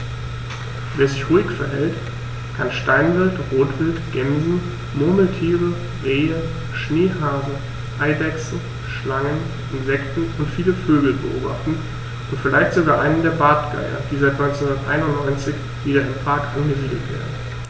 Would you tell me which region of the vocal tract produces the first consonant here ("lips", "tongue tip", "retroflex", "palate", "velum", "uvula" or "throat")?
lips